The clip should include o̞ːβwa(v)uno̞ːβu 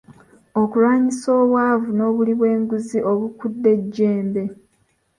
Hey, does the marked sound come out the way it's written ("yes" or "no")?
yes